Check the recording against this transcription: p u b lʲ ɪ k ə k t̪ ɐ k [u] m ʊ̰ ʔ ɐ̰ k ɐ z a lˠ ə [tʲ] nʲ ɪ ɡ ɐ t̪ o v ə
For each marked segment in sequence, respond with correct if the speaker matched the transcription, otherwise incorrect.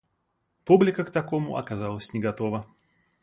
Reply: incorrect, incorrect

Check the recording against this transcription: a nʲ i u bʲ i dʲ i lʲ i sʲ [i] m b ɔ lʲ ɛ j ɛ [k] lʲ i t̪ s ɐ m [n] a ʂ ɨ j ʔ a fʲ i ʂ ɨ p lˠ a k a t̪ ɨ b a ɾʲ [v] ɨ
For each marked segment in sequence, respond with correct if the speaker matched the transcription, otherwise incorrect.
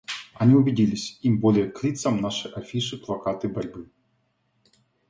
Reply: correct, correct, correct, incorrect

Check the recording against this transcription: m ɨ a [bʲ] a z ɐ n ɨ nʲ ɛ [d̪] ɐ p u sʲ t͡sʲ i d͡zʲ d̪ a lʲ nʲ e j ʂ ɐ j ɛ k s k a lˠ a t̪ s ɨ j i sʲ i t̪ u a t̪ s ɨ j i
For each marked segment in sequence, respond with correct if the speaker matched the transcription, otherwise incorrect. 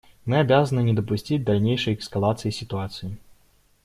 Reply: correct, correct

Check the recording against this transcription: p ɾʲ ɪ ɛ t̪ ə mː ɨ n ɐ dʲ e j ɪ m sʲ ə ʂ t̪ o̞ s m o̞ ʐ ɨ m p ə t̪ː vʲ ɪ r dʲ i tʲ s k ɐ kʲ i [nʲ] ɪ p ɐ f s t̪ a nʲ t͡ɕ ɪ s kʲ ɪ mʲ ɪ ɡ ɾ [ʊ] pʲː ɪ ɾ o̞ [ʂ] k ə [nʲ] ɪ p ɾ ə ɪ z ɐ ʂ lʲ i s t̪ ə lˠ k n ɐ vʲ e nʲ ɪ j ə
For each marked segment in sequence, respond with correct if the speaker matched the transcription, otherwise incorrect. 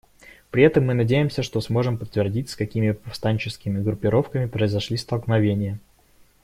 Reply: incorrect, correct, incorrect, incorrect

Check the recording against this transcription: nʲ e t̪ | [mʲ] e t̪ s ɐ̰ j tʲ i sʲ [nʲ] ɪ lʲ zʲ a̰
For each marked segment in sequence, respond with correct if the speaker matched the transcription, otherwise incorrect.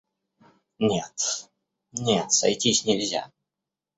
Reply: incorrect, correct

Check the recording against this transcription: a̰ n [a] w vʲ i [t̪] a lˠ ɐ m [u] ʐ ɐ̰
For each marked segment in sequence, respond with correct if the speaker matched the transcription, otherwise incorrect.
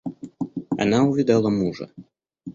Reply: correct, incorrect, correct

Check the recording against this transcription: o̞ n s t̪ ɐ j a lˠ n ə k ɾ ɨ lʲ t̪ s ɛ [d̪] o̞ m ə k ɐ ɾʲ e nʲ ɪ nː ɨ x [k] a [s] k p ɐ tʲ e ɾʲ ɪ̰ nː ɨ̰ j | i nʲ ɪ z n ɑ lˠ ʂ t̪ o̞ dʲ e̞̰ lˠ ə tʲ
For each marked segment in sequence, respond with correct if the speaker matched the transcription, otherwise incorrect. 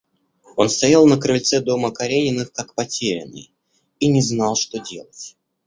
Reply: correct, correct, incorrect

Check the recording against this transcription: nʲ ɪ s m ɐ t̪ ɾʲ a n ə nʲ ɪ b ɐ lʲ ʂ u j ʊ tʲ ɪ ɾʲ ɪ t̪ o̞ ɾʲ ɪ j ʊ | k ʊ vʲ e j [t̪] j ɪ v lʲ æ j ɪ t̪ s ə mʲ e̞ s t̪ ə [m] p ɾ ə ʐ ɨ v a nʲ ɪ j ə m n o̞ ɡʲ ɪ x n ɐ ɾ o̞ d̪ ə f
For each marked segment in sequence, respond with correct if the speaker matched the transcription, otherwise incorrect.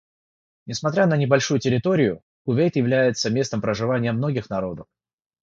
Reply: correct, correct

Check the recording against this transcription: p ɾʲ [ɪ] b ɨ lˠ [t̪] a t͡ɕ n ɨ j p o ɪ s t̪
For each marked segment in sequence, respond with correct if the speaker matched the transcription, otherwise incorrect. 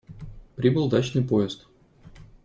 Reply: incorrect, incorrect

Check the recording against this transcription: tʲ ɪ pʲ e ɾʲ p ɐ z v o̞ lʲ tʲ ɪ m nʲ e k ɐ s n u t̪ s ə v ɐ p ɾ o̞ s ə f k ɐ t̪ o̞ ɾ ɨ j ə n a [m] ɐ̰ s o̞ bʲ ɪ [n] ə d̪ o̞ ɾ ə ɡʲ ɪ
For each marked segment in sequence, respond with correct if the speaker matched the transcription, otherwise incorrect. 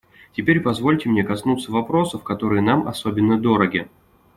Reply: correct, incorrect

